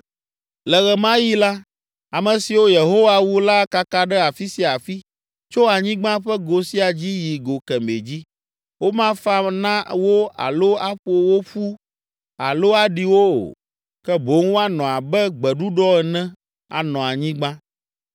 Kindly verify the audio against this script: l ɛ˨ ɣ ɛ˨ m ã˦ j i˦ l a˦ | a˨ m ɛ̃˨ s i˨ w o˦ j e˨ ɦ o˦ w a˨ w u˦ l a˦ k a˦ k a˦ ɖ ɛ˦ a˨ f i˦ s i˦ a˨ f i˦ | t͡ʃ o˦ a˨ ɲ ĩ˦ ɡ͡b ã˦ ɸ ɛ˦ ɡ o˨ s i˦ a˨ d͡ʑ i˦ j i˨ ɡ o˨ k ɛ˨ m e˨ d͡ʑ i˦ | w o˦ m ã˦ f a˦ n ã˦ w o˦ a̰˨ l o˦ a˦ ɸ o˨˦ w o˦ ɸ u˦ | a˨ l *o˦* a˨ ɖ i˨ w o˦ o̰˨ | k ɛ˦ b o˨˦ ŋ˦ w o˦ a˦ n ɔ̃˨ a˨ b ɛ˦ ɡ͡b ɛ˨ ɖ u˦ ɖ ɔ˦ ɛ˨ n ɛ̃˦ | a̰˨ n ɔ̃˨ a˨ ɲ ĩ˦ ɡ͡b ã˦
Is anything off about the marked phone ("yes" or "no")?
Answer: no